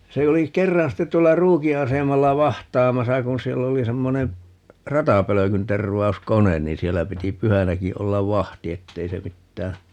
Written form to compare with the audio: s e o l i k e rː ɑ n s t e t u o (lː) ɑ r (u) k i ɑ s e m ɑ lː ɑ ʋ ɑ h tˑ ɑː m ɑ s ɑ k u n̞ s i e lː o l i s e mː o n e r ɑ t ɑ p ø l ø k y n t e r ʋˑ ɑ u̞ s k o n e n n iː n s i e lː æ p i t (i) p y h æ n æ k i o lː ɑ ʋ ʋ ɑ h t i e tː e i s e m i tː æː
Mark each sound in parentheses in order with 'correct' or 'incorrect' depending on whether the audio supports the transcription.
correct, incorrect, correct

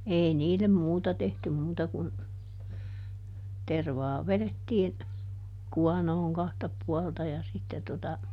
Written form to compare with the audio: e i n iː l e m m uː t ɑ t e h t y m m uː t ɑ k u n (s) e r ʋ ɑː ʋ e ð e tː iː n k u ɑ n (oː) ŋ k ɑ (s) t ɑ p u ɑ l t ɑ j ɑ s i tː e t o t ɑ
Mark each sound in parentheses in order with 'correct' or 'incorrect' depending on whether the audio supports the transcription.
incorrect, correct, incorrect

